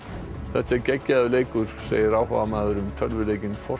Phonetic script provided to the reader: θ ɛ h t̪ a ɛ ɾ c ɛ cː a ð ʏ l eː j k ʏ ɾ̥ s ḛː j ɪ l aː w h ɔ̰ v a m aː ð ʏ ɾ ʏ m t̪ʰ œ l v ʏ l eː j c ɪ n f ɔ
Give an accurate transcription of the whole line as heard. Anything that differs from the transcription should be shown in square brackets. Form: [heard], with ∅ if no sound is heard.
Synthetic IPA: θ ɛ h t̪ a ɛ ɾ c ɛ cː a ð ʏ l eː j k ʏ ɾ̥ s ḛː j ɪ [ɾ] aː w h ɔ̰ v a m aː ð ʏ ɾ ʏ m t̪ʰ œ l v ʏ l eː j c ɪ n f ɔ